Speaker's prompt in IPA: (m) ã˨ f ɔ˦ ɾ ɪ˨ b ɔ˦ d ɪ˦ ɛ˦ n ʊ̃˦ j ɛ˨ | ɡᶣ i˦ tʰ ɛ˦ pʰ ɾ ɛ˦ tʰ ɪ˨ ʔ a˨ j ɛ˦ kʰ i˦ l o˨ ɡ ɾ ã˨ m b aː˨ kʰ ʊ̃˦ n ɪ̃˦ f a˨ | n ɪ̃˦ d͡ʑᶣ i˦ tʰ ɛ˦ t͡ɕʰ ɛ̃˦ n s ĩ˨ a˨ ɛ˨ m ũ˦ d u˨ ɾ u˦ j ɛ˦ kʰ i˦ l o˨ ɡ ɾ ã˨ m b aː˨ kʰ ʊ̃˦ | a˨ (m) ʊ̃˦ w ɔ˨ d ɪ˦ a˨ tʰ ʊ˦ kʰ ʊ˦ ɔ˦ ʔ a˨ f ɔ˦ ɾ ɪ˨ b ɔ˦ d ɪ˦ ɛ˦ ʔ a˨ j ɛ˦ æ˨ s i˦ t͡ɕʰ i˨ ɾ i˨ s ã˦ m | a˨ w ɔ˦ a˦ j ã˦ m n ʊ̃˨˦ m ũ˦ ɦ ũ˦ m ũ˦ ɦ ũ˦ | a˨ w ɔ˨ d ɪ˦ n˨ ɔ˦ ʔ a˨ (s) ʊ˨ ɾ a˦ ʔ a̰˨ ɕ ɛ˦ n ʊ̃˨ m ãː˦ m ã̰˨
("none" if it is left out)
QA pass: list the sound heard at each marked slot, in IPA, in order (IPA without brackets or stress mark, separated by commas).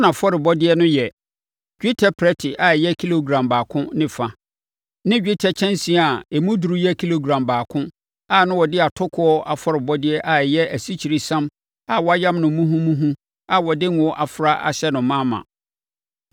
n, n, f